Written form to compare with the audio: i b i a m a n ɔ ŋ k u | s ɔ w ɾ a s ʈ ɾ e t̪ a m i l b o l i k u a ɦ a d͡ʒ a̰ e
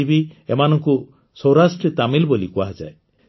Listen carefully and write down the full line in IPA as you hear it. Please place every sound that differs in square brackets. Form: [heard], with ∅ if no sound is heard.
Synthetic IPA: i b i [e] m a n ɔ ŋ k u | s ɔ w ɾ a s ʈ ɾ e t̪ a m i l b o l i k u a ɦ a d͡ʒ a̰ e

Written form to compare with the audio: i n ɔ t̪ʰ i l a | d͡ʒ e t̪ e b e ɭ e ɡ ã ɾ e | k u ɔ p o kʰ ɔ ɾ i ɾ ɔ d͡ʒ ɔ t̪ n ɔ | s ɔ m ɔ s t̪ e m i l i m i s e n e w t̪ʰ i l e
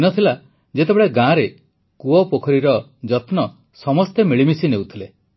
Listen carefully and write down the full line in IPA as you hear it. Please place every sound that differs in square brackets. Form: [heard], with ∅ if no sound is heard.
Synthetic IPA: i n ɔ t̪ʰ i l a | d͡ʒ e t̪ e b e ɭ e ɡ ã ɾ e | k u ɔ p o kʰ ɔ ɾ i ɾ ɔ d͡ʒ ɔ t̪ n ɔ | s ɔ m ɔ s t̪ e m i [ɭ] i m i s [i] n e w t̪ʰ i l e

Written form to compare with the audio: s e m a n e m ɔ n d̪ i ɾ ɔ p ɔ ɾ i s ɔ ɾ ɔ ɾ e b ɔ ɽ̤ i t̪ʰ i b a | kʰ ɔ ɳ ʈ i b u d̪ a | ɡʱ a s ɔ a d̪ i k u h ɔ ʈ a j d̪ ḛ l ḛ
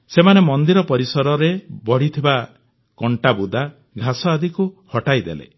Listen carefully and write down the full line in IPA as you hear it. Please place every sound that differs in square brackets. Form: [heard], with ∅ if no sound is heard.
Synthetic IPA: s e m a n e m ɔ n d̪ i ɾ ɔ p ɔ ɾ i s ɔ ɾ ɔ ɾ e b ɔ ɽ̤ i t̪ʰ i b a | [k] ɔ ɳ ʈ [a] b u d̪ a | ɡʱ a s ɔ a d̪ i k u h ɔ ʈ a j d̪ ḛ l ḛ

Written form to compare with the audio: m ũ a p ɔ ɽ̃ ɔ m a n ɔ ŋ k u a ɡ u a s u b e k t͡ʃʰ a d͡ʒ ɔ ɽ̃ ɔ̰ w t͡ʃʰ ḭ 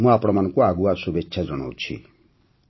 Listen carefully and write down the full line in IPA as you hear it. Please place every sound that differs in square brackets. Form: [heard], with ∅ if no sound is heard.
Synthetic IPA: m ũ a p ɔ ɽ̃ ɔ m a n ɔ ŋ k u a ɡ u a s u b e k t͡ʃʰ a d͡ʒ ɔ ɽ̃ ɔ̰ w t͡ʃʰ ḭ

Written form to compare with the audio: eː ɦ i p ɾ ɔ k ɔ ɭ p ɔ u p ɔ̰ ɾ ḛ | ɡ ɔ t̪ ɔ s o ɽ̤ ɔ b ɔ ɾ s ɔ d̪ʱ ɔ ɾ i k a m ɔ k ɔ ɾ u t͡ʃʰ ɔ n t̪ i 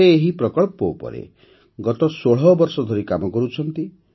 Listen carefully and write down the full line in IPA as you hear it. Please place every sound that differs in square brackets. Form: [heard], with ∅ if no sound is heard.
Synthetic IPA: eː ɦ i p ɾ ɔ k ɔ ɭ p ɔ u p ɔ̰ ɾ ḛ | ɡ ɔ t̪ ɔ s o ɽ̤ ɔ b ɔ ɾ s ɔ d̪ʱ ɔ ɾ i k a m ɔ k ɔ ɾ u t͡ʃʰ ɔ n t̪ i

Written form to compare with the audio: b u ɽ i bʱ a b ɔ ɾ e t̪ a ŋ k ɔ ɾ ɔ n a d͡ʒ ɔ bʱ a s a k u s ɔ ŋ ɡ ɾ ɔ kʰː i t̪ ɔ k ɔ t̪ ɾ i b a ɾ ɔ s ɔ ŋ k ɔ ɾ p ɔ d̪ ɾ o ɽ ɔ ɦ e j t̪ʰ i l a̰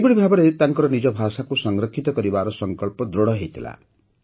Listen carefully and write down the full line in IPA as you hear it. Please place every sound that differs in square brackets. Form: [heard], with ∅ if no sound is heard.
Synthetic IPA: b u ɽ i bʱ a b ɔ ɾ e t̪ a ŋ k ɔ ɾ ɔ n [i] d͡ʒ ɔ bʱ a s a k u s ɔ ŋ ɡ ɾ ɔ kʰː i t̪ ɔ k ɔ [∅] ɾ i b a ɾ ɔ s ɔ ŋ k ɔ [ɭ] p ɔ d̪ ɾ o ɽ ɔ ɦ e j t̪ʰ i l a̰

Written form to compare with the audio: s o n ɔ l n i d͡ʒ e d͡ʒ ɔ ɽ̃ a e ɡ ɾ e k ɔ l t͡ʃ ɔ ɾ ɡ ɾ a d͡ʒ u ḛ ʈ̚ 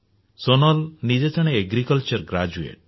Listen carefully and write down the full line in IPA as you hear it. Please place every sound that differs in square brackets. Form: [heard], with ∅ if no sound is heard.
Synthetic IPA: s o n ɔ l n i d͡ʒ e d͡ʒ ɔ ɽ̃ [e] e ɡ ɾ [i] k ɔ l t͡ʃ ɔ ɾ ɡ ɾ a d͡ʒ u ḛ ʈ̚

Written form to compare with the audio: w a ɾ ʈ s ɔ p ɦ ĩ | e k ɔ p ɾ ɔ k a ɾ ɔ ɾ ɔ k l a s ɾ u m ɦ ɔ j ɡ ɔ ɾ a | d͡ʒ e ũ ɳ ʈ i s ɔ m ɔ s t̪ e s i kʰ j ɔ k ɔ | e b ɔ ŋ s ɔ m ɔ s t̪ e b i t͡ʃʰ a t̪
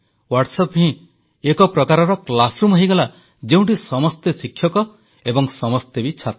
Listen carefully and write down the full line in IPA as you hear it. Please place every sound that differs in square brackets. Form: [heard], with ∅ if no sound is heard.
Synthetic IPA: w a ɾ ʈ s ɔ p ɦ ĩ | e k ɔ p ɾ ɔ k a ɾ ɔ ɾ ɔ k l a s ɾ u m ɦ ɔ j ɡ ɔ [l] a | d͡ʒ e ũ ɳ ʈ i s ɔ m ɔ s t̪ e s i kʰ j ɔ k ɔ | e b ɔ ŋ s ɔ m ɔ s t̪ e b i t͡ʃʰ a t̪

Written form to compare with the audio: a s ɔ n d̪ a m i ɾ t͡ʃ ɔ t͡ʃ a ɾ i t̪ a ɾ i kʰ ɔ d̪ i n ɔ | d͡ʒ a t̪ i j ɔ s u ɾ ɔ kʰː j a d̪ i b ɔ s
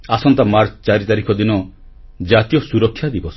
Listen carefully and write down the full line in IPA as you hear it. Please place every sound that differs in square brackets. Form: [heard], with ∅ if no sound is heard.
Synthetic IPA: a s ɔ n [t̪] a m [a] ɾ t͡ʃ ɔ t͡ʃ a ɾ i t̪ a ɾ i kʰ ɔ d̪ i n ɔ | d͡ʒ a t̪ i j ɔ s u ɾ ɔ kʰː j a d̪ i b ɔ s

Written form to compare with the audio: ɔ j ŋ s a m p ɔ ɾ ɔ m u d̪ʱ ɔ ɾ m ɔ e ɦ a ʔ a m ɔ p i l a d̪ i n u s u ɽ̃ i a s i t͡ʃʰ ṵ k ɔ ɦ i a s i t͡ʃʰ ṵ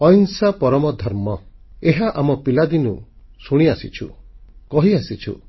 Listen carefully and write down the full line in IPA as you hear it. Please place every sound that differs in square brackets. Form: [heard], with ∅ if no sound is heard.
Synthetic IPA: ɔ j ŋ s a [∅] p ɔ ɾ ɔ m [ɔ] d̪ʱ ɔ ɾ m ɔ e ɦ a ʔ a m ɔ p i l a d̪ i n u s u ɽ̃ i a s i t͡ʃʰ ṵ k ɔ ɦ i a s i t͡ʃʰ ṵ

